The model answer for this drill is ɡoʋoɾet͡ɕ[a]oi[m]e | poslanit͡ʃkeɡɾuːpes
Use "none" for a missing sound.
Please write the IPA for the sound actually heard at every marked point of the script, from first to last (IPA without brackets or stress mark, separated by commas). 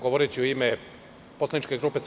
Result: i, m